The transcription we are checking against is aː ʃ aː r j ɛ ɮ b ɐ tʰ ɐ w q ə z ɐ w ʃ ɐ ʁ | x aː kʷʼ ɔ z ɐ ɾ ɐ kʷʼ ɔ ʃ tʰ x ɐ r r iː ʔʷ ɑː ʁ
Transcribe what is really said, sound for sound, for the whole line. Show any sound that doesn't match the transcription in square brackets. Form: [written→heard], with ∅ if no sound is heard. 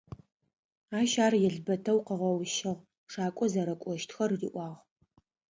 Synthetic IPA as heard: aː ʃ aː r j ɛ ɮ b ɐ tʰ ɐ w q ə [z→ʁ] ɐ w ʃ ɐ ʁ | [x→ʂ] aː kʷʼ ɔ z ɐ ɾ ɐ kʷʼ ɔ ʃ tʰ x ɐ r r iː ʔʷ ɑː ʁ

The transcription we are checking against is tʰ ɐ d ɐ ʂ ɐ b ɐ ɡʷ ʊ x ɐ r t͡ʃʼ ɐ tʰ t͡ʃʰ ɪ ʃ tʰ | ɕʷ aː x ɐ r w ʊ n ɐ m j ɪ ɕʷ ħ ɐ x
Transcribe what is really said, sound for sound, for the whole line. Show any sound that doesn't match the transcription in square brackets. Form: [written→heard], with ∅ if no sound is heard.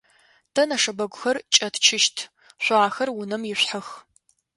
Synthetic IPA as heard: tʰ ɐ [d→n] ɐ ʂ ɐ b ɐ ɡʷ ʊ x ɐ r t͡ʃʼ ɐ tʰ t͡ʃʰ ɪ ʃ tʰ | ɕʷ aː x ɐ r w ʊ n ɐ m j ɪ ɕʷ ħ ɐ x

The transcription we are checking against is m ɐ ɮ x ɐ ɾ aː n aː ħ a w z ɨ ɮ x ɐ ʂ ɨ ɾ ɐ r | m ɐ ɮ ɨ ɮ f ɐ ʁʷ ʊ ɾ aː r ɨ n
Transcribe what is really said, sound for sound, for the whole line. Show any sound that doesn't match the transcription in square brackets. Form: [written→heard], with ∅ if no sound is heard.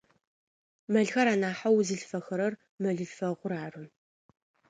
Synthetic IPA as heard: m ɐ ɮ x ɐ ɾ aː n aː ħ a w z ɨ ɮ [x→f] ɐ [ʂ→x] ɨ ɾ ɐ r | m ɐ ɮ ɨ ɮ f ɐ ʁʷ ʊ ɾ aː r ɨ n

